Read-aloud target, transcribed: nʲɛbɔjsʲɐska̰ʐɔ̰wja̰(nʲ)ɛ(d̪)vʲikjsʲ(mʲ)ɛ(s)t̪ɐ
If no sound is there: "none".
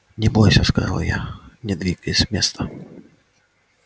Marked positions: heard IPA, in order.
nʲ, d̪, mʲ, s

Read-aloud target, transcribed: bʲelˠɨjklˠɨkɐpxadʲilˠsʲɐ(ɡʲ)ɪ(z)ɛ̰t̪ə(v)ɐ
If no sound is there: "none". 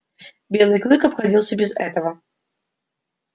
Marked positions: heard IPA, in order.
bʲ, z, v

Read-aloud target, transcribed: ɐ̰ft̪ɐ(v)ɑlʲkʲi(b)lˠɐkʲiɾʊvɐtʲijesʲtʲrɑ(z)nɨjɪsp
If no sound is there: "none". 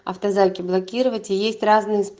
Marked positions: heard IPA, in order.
z, b, z

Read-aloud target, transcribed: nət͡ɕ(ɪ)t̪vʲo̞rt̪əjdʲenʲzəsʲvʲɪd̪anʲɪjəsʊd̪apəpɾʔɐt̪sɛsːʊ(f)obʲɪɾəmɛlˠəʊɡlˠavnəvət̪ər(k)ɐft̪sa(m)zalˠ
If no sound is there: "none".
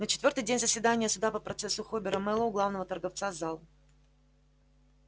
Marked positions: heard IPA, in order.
ɪ, x, ɡ, none

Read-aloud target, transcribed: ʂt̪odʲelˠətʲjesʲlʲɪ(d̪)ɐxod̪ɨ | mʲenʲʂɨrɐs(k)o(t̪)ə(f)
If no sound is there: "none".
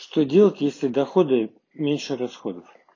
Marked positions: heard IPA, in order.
d̪, x, d̪, f

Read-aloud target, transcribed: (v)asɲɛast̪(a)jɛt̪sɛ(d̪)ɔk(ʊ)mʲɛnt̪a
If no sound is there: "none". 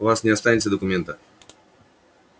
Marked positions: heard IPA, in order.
v, a, d̪, u

